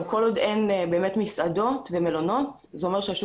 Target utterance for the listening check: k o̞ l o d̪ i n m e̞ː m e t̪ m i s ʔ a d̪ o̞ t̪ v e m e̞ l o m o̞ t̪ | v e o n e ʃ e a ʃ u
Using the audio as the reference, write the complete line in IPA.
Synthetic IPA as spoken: k o̞ l o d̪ e n b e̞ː m e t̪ m i s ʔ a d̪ o̞ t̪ v e m e̞ l o n o̞ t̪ | z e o m e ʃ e a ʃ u